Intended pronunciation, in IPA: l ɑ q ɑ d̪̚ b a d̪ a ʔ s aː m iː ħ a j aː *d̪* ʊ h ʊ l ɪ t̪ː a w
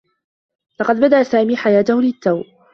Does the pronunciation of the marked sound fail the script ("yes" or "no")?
yes